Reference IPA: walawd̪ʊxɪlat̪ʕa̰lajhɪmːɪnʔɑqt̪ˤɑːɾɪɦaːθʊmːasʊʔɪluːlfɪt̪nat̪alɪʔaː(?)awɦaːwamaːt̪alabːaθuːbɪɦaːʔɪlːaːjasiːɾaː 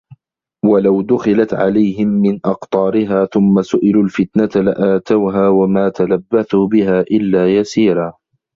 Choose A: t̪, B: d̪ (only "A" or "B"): A